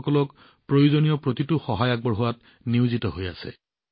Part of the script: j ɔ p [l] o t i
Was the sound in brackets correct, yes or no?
no